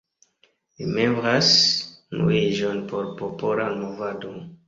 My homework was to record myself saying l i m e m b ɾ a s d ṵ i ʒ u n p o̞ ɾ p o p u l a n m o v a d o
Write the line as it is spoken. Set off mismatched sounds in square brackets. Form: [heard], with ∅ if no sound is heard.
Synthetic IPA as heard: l i m e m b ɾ a s [n] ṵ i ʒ [o] n p o̞ ɾ p o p [o] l a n m o v a d o